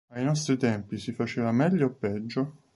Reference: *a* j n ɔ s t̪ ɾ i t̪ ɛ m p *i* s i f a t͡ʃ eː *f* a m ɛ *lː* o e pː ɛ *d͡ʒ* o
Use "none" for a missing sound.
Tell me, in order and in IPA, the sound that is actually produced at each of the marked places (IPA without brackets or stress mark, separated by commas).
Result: a, i, v, ʎː, d͡ʒː